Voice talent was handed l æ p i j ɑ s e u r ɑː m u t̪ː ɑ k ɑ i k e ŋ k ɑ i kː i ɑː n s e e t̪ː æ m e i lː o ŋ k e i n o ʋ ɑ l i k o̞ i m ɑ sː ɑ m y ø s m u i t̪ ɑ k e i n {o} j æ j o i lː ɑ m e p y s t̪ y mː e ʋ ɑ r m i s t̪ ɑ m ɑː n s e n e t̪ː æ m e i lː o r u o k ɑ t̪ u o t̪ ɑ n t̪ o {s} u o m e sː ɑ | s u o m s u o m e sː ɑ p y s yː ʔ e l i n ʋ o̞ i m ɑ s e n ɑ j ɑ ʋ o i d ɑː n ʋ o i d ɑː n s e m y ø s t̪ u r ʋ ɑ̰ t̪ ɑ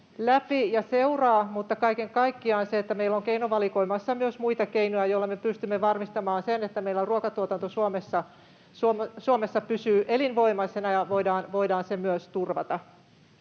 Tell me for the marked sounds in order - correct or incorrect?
correct, correct

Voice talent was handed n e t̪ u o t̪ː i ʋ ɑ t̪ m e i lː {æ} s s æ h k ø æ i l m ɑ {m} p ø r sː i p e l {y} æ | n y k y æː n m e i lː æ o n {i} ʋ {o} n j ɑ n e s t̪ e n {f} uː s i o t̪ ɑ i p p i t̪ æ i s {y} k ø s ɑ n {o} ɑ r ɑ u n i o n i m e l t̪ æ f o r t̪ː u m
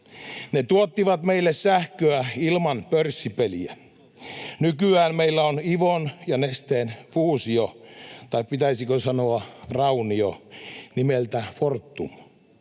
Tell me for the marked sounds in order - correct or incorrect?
incorrect: e, incorrect: n, incorrect: i, correct, correct, correct, incorrect: i, correct

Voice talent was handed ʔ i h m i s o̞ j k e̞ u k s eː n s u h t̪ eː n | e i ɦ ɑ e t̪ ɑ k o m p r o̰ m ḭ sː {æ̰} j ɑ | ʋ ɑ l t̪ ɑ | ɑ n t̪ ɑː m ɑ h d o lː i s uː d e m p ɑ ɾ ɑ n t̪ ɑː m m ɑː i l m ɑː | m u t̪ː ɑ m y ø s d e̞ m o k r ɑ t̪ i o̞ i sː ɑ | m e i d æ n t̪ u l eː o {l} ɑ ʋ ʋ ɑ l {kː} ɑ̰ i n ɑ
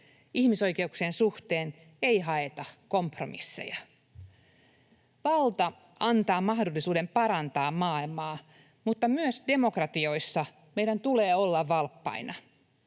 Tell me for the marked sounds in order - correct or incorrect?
incorrect: ḛ, incorrect: lː, incorrect: pː

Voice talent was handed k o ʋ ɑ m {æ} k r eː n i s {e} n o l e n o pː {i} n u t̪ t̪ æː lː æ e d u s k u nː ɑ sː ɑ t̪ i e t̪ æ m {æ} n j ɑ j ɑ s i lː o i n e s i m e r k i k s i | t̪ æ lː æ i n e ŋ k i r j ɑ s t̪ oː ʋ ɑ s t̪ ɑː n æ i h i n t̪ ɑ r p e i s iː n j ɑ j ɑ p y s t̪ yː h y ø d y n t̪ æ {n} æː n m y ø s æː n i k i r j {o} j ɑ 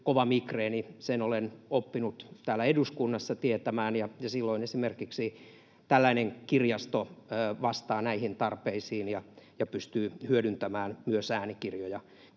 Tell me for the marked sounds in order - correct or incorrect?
incorrect: i, correct, correct, incorrect: æː, incorrect: m, correct

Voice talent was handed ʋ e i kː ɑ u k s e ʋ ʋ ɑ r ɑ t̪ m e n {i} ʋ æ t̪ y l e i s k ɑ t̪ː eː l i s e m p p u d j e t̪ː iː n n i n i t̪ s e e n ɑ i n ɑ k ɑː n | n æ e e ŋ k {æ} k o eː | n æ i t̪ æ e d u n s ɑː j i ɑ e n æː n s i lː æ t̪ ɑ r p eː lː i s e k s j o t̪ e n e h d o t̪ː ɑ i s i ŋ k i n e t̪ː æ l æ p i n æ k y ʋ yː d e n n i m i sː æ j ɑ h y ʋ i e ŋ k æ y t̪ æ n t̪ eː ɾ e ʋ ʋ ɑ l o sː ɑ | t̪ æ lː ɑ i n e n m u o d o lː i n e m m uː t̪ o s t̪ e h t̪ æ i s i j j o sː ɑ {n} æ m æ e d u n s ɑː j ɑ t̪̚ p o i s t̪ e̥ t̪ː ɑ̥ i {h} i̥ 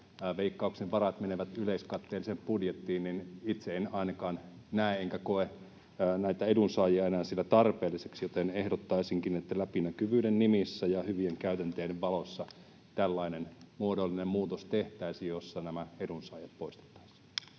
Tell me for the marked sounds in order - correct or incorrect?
incorrect: e, correct, correct, incorrect: s

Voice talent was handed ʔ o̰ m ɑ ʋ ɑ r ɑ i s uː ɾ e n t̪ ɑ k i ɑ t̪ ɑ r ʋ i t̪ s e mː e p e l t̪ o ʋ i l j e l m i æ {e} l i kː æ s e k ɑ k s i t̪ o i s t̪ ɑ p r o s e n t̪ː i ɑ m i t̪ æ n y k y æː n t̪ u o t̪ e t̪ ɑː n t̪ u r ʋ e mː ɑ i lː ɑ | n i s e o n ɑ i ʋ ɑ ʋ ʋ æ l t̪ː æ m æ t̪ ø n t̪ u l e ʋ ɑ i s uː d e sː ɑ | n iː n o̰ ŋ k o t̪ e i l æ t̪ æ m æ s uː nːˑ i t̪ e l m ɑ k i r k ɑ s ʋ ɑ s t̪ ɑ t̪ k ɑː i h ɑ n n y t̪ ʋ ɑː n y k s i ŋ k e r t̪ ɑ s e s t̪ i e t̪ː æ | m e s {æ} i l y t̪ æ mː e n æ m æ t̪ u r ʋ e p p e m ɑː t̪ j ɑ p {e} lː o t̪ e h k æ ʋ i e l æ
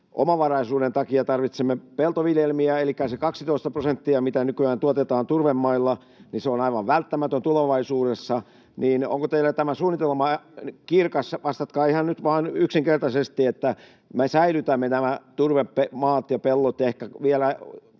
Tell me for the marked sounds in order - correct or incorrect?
correct, correct, correct

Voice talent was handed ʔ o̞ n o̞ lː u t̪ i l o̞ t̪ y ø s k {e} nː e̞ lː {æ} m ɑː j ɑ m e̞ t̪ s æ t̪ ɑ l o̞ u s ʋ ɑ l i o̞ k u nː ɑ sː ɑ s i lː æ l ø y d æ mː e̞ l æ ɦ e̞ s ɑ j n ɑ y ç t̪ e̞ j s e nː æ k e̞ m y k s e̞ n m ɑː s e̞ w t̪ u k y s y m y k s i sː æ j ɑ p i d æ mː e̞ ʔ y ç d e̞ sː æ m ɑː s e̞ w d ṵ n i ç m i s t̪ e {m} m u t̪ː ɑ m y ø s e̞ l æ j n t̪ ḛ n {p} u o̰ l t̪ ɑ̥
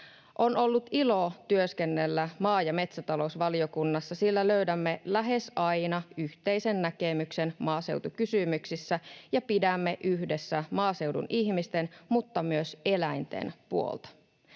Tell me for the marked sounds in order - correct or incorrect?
correct, correct, incorrect: n, correct

